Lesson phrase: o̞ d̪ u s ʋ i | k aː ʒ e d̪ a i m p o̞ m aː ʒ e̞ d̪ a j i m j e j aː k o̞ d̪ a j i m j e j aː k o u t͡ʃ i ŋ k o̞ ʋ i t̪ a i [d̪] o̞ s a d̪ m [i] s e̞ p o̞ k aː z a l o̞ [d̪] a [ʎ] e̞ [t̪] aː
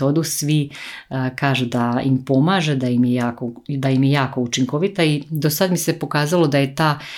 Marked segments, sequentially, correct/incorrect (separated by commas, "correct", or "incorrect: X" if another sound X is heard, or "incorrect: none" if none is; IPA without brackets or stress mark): correct, correct, correct, incorrect: j, correct